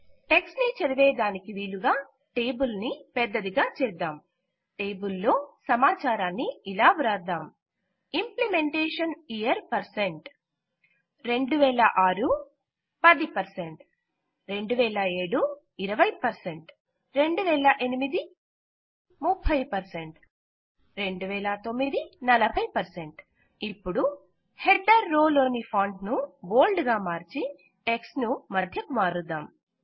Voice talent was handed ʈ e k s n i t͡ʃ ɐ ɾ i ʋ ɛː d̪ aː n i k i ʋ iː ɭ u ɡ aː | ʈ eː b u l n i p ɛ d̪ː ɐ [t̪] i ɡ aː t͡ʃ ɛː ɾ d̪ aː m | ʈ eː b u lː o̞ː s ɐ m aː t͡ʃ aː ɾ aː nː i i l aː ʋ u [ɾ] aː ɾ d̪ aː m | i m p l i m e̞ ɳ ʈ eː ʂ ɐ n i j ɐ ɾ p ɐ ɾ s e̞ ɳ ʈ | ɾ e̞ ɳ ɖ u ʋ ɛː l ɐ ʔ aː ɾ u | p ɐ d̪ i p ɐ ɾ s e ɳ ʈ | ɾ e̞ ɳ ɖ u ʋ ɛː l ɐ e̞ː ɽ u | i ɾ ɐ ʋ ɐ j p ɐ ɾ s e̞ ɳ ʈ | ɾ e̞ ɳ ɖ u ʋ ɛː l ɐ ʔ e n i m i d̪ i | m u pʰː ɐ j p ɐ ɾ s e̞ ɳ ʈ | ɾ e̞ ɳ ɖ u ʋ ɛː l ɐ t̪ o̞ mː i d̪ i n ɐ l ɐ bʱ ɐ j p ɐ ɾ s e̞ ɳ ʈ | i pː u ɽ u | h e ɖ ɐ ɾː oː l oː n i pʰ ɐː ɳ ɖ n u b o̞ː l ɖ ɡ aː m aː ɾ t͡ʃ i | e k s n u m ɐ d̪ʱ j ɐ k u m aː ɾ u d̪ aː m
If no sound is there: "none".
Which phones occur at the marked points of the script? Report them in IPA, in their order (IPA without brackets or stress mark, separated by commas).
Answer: d̪, ɾ